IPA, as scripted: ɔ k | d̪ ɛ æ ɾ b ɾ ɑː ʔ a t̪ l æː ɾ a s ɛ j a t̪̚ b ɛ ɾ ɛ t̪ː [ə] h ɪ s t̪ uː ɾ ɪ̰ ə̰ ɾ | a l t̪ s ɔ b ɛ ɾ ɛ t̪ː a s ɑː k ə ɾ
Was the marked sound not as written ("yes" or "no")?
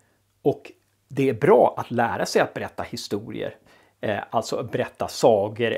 yes